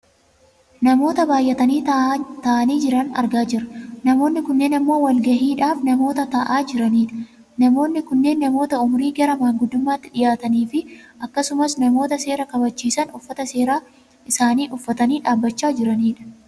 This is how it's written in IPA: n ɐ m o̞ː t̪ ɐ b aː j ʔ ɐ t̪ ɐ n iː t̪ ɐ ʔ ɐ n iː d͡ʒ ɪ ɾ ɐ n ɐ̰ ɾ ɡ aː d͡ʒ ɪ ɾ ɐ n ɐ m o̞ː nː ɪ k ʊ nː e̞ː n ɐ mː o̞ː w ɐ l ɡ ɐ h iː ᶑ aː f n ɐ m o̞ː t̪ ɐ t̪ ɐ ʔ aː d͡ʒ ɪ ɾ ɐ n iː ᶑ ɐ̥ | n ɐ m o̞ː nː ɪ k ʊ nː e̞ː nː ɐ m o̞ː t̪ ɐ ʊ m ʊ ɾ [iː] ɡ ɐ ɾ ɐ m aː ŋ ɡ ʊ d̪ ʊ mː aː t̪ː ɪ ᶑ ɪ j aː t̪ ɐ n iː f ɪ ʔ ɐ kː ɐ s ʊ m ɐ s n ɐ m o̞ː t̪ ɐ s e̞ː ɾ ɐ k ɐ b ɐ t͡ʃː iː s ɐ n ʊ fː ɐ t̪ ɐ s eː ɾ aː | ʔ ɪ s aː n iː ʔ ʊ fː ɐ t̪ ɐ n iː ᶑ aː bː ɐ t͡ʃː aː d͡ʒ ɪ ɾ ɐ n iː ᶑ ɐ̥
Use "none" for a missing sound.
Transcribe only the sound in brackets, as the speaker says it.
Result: iː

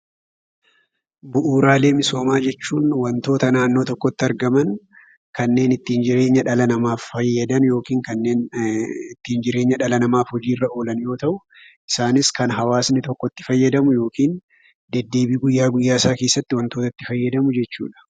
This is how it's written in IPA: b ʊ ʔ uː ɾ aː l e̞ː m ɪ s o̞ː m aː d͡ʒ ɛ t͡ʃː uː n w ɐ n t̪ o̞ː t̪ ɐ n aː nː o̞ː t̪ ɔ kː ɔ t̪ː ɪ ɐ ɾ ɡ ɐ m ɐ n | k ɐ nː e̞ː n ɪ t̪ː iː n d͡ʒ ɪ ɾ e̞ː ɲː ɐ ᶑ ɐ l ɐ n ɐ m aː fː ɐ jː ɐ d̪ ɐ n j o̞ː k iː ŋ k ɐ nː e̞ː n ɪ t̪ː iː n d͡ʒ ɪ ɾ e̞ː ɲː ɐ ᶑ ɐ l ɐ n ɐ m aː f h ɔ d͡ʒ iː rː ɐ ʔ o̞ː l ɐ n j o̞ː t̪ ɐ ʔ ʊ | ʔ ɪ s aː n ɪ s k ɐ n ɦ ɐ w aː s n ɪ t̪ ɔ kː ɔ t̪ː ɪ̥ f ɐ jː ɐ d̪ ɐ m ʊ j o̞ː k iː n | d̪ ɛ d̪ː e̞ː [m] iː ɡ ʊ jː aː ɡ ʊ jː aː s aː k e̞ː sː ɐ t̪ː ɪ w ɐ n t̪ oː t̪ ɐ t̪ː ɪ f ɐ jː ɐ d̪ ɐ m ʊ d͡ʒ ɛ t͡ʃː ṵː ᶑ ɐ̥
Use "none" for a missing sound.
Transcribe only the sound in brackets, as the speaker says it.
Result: b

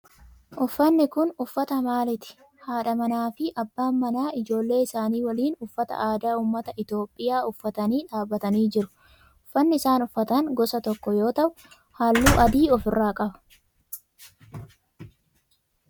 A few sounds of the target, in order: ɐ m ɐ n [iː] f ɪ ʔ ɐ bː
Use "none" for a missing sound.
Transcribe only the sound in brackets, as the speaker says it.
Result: aː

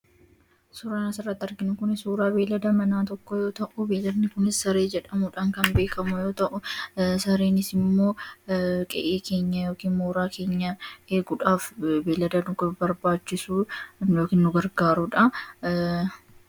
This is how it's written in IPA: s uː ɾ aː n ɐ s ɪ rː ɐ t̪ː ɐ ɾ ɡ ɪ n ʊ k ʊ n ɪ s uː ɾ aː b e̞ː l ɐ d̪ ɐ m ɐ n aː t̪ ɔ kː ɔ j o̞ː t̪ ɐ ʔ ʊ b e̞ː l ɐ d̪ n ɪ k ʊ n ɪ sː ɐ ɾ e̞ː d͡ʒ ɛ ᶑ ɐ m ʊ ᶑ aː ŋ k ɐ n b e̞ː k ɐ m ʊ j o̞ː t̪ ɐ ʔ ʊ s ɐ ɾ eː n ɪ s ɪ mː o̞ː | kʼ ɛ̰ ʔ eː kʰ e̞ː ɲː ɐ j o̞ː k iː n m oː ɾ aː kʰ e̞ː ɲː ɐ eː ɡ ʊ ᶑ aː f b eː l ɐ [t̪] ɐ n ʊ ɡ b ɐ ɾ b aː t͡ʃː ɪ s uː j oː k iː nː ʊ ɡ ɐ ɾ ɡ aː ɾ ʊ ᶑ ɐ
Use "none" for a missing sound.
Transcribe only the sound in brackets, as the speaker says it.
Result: d̪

